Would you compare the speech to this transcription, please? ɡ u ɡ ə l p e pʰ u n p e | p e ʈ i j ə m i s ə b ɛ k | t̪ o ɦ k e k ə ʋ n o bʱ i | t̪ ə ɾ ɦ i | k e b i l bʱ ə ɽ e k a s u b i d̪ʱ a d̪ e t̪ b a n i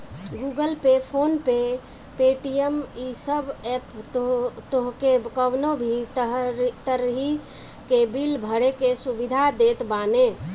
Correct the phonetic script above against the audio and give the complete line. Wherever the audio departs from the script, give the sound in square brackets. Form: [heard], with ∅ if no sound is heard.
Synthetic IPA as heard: ɡ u ɡ ə l p e pʰ [o] n p e | p e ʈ i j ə m i s ə b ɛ [p] | t̪ o ɦ k e k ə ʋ n o bʱ i | t̪ ə ɾ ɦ i | k e b i l bʱ ə ɽ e k [e] s u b i d̪ʱ a d̪ e t̪ b a n [e]